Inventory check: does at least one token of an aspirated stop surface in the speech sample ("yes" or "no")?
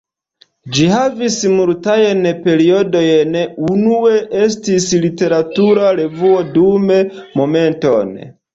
no